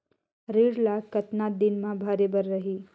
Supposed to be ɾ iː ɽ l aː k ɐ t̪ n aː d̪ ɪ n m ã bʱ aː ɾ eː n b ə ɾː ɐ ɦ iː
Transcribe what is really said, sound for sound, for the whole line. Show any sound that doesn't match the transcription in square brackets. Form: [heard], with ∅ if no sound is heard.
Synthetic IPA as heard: ɾ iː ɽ l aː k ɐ t̪ n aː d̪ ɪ n m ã bʱ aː ɾ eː [∅] b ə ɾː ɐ ɦ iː